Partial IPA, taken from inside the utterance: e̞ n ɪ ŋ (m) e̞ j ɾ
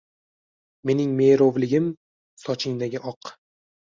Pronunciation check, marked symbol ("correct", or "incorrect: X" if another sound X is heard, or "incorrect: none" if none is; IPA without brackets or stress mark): correct